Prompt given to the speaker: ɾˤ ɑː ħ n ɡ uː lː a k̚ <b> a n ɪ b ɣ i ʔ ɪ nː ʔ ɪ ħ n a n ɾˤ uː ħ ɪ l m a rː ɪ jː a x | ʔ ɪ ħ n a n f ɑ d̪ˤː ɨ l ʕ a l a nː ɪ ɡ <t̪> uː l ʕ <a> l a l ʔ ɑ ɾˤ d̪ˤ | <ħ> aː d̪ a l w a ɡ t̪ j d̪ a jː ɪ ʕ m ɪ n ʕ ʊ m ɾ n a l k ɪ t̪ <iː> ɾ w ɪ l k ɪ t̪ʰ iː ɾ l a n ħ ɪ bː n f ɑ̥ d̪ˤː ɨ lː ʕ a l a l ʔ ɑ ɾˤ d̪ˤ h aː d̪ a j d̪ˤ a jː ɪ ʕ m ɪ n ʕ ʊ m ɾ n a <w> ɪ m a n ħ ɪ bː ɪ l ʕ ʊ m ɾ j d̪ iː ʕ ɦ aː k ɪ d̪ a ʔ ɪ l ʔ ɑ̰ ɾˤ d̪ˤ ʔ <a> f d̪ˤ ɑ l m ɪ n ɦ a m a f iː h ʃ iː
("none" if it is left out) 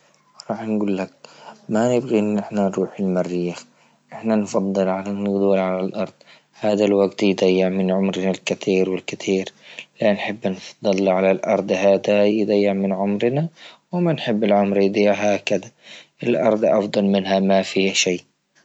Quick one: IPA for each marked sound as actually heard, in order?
m, d̪, a, h, iː, w, ɑ

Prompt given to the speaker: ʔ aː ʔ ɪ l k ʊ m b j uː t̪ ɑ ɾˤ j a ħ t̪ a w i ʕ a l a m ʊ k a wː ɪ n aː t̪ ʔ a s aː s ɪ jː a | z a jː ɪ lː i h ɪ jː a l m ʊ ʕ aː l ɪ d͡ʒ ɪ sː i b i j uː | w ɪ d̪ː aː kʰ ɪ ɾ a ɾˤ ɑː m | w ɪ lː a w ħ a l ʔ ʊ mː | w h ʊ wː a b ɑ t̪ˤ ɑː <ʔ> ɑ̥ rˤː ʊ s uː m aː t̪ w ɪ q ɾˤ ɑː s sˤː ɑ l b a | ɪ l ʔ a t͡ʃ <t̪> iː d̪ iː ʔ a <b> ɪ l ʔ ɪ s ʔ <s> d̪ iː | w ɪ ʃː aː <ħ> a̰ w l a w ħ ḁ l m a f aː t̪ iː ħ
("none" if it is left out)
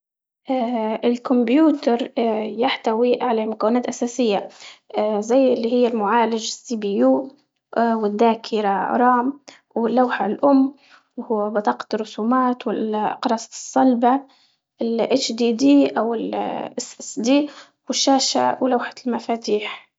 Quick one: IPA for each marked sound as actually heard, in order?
q, d̪, w, s, ʃ

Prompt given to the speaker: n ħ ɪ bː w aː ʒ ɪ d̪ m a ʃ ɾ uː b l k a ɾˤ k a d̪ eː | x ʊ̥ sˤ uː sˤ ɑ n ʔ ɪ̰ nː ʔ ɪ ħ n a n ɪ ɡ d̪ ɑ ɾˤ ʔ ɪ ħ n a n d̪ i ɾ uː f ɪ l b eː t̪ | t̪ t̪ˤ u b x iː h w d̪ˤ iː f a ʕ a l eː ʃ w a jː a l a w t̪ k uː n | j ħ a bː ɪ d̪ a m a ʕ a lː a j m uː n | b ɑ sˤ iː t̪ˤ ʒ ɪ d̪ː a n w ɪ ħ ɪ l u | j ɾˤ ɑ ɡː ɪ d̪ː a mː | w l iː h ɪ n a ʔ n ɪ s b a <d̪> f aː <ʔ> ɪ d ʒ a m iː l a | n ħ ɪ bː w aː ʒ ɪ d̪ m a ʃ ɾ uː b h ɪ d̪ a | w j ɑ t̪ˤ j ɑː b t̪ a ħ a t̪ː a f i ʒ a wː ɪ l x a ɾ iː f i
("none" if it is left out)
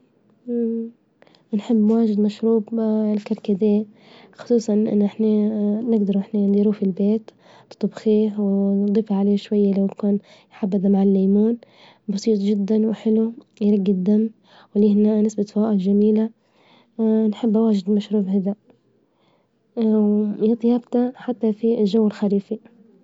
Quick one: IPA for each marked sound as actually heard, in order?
t̪, ʔ

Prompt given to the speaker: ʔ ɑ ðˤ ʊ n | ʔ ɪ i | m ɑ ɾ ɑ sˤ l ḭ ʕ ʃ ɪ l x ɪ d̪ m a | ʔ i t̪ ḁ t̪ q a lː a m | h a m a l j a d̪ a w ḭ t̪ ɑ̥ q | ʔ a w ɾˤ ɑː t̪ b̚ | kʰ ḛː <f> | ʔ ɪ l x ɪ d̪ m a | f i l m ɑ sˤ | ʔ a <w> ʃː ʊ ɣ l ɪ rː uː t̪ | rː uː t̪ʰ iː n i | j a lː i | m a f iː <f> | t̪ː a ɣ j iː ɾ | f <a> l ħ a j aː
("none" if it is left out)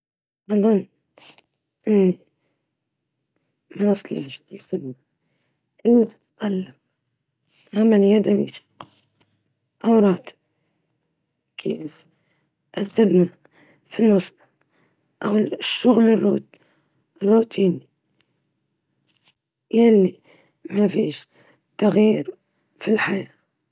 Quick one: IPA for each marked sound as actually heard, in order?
f, w, ʃ, i

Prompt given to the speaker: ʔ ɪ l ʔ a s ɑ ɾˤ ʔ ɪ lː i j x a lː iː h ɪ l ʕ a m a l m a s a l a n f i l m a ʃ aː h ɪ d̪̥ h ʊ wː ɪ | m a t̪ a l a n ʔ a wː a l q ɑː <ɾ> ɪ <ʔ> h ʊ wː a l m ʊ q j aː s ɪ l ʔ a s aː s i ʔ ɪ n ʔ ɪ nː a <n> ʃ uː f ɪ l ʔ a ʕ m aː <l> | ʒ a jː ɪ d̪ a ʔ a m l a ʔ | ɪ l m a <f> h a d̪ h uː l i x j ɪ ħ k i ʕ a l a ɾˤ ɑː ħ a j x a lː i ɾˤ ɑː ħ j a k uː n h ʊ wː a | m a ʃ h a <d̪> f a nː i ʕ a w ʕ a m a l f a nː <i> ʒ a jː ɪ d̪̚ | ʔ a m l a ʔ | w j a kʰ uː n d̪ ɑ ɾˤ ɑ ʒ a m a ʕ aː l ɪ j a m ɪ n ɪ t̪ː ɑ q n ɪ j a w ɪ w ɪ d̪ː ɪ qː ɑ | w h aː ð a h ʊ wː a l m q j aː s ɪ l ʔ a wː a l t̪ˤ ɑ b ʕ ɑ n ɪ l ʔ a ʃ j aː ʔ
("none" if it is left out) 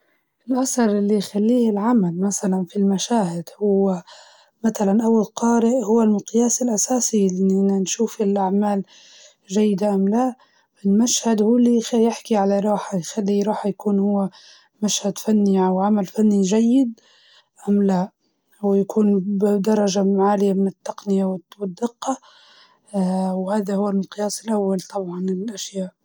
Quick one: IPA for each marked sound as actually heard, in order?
ɾ, ʔ, n, l, ʃ, d̪, i

